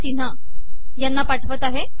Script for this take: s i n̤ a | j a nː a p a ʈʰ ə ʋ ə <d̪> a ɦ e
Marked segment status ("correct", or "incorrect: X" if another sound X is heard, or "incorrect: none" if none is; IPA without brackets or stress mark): incorrect: t̪